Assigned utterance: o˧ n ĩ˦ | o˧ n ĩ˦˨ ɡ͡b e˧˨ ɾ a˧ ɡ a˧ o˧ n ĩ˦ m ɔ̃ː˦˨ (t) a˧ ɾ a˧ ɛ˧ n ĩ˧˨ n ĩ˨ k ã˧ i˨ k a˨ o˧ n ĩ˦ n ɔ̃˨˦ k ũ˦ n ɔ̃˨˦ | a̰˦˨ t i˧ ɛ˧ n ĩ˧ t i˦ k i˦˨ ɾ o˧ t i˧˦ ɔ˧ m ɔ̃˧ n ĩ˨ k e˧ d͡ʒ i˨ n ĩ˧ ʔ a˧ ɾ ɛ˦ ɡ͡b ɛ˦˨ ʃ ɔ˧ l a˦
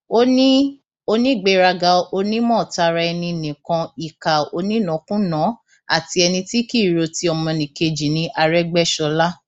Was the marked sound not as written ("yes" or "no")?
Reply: no